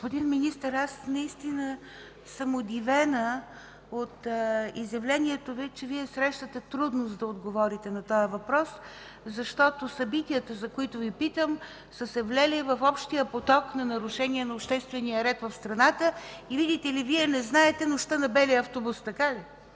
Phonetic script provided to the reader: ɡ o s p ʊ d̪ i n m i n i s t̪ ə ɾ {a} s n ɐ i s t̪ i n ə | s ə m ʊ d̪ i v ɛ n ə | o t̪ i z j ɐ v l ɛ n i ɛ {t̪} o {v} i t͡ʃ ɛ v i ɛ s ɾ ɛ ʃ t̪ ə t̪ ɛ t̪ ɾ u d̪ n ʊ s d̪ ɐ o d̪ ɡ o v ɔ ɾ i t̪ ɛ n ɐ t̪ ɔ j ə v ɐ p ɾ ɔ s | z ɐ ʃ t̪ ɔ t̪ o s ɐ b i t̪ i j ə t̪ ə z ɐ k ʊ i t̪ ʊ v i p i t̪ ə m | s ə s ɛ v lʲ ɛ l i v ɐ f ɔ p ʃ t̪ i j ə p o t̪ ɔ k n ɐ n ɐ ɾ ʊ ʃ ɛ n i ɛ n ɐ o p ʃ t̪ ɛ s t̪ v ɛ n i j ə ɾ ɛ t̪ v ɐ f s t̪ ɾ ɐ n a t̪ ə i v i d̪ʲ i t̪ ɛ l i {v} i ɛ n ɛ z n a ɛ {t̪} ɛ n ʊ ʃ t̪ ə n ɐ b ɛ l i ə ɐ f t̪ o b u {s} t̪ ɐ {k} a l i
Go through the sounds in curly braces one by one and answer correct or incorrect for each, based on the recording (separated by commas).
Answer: correct, correct, correct, correct, correct, correct, correct